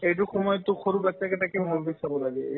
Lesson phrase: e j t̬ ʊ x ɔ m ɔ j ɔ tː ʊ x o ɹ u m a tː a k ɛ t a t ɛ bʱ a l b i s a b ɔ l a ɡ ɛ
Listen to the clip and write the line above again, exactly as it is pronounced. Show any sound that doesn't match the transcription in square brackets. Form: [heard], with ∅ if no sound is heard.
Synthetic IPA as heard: e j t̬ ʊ x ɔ m ɔ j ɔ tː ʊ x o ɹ u [b] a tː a k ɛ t a [k] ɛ bʱ a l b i s a b ɔ l a ɡ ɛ

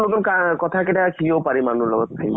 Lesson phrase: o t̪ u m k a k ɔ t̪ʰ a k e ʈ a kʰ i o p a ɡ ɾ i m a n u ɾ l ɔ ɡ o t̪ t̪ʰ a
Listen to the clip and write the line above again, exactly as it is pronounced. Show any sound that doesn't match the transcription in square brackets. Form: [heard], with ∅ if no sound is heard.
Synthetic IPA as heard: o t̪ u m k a k ɔ t̪ʰ a k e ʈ a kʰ i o p a [∅] ɾ i m a n u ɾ l ɔ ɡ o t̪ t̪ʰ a

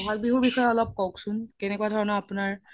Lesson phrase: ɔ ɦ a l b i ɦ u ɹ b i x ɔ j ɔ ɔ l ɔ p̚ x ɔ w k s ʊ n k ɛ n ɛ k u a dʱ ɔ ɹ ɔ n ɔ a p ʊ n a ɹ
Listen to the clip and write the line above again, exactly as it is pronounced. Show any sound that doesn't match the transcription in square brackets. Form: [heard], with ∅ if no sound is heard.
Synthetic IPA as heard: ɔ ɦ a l b i ɦ u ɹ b i x ɔ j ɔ ɔ l ɔ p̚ [k] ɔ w k s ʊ n k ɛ n ɛ k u a dʱ ɔ ɹ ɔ n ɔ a p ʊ n a ɹ

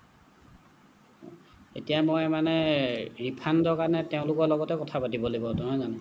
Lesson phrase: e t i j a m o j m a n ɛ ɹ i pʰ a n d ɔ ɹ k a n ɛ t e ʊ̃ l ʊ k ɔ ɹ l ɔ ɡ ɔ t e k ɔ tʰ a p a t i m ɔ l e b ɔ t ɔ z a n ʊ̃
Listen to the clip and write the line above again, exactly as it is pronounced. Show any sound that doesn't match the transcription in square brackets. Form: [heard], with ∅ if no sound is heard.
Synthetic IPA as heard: e t i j a m o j m a n ɛ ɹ i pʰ a n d ɔ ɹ k a n ɛ t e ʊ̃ l ʊ k ɔ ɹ l ɔ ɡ ɔ t [ɛ] k ɔ tʰ a p a t i [b] ɔ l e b ɔ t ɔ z a n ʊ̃

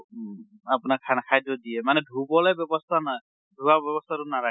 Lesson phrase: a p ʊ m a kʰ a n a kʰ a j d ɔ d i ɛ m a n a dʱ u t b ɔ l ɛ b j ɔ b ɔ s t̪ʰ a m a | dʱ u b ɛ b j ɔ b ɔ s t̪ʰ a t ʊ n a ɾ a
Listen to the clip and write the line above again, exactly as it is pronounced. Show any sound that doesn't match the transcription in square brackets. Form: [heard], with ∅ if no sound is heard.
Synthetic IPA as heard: a p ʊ [n] a kʰ a n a kʰ a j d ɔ d i ɛ m a n [ɛ] dʱ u [∅] b ɔ l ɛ b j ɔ b ɔ s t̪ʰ a [n] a | dʱ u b [a] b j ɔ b ɔ s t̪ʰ a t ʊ n a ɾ a

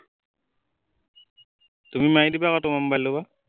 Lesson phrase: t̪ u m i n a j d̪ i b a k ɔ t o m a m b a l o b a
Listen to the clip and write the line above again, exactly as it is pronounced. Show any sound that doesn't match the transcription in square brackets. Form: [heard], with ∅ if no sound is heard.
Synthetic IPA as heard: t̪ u m i [m] a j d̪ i b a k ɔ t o m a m b a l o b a

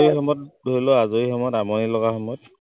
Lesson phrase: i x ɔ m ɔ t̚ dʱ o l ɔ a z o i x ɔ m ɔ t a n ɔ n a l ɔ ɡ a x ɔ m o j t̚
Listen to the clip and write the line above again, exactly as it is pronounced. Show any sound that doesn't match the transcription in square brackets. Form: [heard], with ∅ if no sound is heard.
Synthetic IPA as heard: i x ɔ m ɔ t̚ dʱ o l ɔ a z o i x ɔ m ɔ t a [m] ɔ n [i] l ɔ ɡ a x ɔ m [ɔ] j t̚

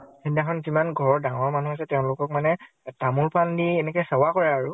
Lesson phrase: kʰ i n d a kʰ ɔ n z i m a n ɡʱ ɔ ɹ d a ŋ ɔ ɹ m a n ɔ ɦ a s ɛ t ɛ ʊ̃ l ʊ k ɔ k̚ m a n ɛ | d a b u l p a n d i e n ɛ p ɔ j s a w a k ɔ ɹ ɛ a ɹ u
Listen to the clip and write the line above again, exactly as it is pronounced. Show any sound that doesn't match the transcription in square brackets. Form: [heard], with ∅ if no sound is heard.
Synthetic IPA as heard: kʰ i n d a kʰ ɔ n z i m a n ɡʱ ɔ ɹ d a ŋ ɔ ɹ m a n [u] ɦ a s ɛ t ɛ ʊ̃ l ʊ k ɔ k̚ m a n ɛ | [t] a [m] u l p a n d i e n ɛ [k] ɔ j s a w a k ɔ ɹ ɛ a ɹ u

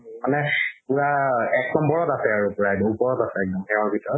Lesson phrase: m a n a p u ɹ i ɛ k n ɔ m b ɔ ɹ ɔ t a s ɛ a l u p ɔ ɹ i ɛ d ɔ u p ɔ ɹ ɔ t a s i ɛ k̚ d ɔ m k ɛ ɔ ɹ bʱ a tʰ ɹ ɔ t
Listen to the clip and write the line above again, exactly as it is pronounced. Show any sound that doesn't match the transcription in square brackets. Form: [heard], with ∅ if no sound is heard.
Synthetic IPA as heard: m a n [ɛ] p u ɹ [a] ɛ k n ɔ m b ɔ ɹ ɔ t a s ɛ a [ɹ] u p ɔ ɹ [a] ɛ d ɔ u p ɔ ɹ ɔ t a s [ɛ] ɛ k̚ d ɔ m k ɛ ɔ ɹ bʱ [i] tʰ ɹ ɔ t

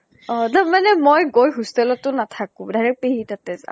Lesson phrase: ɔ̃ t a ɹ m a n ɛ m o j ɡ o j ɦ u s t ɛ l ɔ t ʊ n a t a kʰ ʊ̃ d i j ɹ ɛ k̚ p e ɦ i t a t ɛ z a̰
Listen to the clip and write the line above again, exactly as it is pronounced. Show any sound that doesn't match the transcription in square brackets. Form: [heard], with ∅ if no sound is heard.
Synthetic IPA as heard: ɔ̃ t a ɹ m a n ɛ m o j ɡ o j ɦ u s t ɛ l ɔ t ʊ n a [tʰ] a [k] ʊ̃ d [a] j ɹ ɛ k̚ p e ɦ i t a t ɛ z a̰

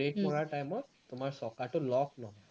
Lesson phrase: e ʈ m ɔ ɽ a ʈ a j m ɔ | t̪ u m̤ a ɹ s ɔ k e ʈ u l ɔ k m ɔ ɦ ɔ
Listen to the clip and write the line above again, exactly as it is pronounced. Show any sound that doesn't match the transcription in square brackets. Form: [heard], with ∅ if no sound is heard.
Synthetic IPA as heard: e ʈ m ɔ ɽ a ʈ a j m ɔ | t̪ u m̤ a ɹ s ɔ k [a] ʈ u l ɔ k [n] ɔ ɦ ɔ

